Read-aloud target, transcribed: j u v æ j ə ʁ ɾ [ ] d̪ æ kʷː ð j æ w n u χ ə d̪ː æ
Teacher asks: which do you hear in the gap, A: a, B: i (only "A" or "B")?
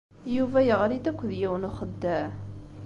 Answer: B